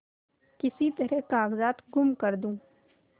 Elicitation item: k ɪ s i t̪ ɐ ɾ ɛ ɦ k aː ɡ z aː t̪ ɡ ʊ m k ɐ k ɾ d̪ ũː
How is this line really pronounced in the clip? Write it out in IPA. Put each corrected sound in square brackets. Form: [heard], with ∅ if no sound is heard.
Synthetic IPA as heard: k ɪ s i t̪ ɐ ɾ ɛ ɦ k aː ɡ z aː t̪ ɡ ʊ m k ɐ [∅] ɾ d̪ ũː